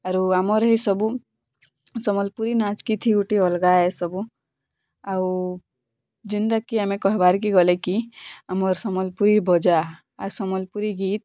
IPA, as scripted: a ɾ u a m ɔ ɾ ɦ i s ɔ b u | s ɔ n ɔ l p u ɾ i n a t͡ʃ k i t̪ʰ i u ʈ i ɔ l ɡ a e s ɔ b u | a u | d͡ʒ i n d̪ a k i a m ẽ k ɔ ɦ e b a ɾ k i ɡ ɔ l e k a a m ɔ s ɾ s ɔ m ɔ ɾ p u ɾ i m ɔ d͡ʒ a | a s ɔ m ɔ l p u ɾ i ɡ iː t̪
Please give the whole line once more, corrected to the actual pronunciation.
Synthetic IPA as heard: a ɾ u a m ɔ ɾ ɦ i s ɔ b u | s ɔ m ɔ l p u ɾ i n a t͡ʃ k i t̪ʰ i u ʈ i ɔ l ɡ a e s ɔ b u | a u | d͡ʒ i n d̪ a k i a m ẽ k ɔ ɦ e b a ɾ k i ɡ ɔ l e k i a m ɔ ɾ s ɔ m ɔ l p u ɾ i b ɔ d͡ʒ a | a s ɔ m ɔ l p u ɾ i ɡ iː t̪